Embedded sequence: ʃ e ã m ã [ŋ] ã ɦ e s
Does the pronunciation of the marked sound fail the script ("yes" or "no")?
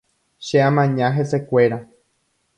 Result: yes